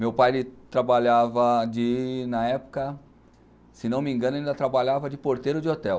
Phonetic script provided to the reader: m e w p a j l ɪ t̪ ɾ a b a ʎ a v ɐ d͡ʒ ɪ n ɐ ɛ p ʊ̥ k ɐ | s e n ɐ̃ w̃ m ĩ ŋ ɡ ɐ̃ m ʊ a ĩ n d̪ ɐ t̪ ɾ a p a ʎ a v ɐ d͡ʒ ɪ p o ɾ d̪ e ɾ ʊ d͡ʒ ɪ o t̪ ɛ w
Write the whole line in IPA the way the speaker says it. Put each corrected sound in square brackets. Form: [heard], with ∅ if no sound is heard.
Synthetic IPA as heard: m e w p a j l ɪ t̪ ɾ a b a ʎ a v ɐ d͡ʒ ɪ n ɐ ɛ p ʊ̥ k ɐ | s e n ɐ̃ w̃ m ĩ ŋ ɡ ɐ̃ [n] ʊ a ĩ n d̪ ɐ t̪ ɾ a [b] a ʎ a v ɐ d͡ʒ ɪ p o ɾ [t̪] e ɾ ʊ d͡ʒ ɪ o t̪ ɛ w

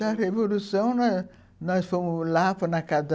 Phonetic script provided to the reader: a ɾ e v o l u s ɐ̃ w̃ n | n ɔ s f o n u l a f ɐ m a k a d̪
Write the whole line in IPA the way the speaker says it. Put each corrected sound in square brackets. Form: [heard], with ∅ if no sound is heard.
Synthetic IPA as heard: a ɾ e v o l u s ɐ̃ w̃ n | n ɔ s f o [m] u l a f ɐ [n] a k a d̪

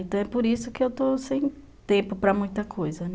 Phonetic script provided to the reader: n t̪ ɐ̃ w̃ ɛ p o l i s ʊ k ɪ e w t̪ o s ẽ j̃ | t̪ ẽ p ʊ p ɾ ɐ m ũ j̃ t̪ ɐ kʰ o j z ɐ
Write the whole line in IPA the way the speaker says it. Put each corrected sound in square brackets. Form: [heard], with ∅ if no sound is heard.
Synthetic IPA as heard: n t̪ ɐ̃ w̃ ɛ p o [ɾ] i s ʊ k ɪ e w t̪ o s ẽ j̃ | t̪ ẽ p ʊ p ɾ ɐ m ũ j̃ t̪ ɐ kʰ o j z ɐ

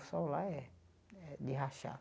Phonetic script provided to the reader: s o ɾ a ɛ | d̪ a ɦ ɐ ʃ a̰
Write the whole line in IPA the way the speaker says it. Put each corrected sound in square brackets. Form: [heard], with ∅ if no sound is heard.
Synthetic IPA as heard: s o [l] a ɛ | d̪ [i] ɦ [a] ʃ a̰

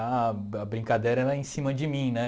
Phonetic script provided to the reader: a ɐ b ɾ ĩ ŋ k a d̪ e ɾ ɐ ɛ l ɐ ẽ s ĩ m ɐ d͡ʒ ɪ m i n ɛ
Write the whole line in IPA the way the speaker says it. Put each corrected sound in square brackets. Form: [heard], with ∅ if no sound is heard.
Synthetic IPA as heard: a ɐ b ɾ ĩ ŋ k a d̪ e ɾ ɐ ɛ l ɐ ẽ s ĩ m ɐ d͡ʒ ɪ m [ĩ] n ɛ

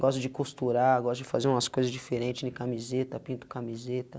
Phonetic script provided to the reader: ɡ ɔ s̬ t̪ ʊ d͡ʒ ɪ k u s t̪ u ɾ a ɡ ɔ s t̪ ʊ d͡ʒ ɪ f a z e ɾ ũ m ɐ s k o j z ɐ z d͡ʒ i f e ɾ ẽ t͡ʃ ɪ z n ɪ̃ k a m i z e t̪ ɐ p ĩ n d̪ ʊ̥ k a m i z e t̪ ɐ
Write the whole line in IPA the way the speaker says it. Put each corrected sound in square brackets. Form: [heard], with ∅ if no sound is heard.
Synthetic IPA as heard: ɡ ɔ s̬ t̪ ʊ d͡ʒ ɪ k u s t̪ u ɾ a ɡ ɔ s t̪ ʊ d͡ʒ ɪ f a z e ɾ ũ m ɐ s k o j z ɐ z d͡ʒ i f e ɾ ẽ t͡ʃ ɪ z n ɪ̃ k a m i z e t̪ ɐ p ĩ n [t̪] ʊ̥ k a m i z e t̪ ɐ

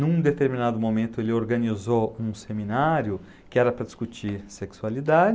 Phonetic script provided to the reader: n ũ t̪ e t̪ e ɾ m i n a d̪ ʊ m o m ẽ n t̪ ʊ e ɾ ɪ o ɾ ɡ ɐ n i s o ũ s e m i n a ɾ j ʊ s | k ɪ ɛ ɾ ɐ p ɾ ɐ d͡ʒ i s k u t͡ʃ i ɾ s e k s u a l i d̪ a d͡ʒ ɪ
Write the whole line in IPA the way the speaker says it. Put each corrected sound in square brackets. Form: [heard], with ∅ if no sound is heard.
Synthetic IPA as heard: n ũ [d̪] e t̪ e ɾ m i n a d̪ ʊ m o m ẽ n t̪ ʊ e [l] ɪ o ɾ ɡ ɐ n i [z] o ũ s e m i n a ɾ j ʊ [∅] | k ɪ ɛ ɾ ɐ p ɾ ɐ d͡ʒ i s k u t͡ʃ i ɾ s e k s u a l i d̪ a d͡ʒ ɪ

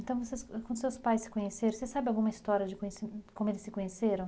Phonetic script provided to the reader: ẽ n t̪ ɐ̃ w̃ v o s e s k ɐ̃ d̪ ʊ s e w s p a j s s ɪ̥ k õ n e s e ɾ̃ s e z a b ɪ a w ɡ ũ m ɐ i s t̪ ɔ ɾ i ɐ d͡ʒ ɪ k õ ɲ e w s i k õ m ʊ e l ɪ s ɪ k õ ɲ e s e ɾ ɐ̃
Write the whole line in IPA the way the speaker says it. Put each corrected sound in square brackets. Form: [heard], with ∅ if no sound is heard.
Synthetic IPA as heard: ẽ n t̪ ɐ̃ w̃ v o s e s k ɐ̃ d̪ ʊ s e w s p a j s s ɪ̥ k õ [ɲ] e s e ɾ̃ s e [s] a b ɪ a w ɡ ũ m ɐ i s t̪ ɔ ɾ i ɐ d͡ʒ ɪ k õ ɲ e [∅] s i k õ m ʊ e l ɪ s ɪ k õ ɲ e s e ɾ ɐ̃

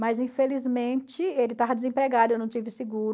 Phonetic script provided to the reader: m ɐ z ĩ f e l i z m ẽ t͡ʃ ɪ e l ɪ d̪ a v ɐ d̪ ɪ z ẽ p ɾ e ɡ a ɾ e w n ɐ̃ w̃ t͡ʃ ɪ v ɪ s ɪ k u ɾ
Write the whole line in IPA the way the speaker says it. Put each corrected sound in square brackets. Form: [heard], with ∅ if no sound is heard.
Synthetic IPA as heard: m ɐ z ĩ f e l i z m ẽ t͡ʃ ɪ e l ɪ [t̪] a v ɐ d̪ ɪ z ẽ p ɾ e ɡ a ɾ e w n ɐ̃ w̃ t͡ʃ [i] v ɪ s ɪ [ɡ] u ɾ

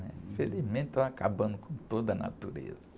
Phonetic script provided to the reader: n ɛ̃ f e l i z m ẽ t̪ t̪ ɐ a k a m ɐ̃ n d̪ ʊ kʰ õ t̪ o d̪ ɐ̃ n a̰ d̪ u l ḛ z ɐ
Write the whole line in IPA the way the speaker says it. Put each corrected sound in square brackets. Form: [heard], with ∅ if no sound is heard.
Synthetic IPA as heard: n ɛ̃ f e l i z m ẽ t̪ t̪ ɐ a k a [b] ɐ̃ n d̪ ʊ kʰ õ t̪ o d̪ [ɐ] n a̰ [t̪] u [ɾ] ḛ z ɐ

